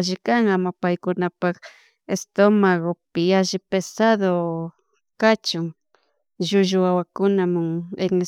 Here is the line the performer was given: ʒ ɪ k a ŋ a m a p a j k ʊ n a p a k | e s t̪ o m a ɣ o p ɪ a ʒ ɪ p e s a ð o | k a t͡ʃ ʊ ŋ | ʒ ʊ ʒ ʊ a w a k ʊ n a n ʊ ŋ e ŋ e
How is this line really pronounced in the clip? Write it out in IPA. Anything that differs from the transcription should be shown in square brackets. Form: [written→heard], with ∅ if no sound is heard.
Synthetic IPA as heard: ʒ ɪ k a ŋ a m a p a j k ʊ n a p a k | e s t̪ o m a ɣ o p ɪ a ʒ ɪ p e s a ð o | k a t͡ʃ ʊ ŋ | ʒ ʊ ʒ ʊ a w a k ʊ n a [n→m] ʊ ŋ e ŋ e

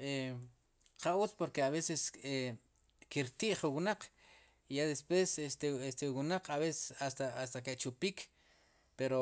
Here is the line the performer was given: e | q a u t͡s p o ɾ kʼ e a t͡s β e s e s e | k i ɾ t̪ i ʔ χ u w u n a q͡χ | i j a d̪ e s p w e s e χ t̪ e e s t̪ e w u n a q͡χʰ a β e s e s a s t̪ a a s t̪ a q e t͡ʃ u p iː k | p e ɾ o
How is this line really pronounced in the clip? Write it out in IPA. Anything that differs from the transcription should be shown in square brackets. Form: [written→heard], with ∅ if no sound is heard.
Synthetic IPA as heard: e | q a u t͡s p o ɾ [kʼ→k] e a [t͡s→∅] β e s e s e | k i ɾ t̪ i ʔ χ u w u n a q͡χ | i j a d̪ e s p w e s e [χ→s] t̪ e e s t̪ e w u n a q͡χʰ a β e s e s a s t̪ a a s t̪ a [q→k] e t͡ʃ u p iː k | p e ɾ o

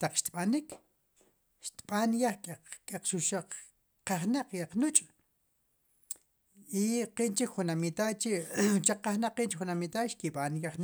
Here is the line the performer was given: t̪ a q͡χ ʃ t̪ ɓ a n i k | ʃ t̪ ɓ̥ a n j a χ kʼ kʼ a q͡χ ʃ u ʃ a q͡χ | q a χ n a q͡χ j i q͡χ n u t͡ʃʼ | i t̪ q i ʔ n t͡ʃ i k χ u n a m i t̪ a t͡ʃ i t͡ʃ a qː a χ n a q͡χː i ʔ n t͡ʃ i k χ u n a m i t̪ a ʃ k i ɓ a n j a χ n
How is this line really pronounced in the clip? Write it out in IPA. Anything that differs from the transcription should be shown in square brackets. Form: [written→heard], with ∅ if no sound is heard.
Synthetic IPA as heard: t̪ a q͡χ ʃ t̪ ɓ a n i k | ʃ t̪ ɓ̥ a n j a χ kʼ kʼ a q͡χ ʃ u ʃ a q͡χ | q a χ n a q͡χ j [i→a] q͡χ n u t͡ʃʼ | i [t̪→∅] q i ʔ n t͡ʃ i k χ u n a m i t̪ a t͡ʃ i t͡ʃ a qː a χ n a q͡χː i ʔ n t͡ʃ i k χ u n a m i t̪ a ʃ k i ɓ a n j a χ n

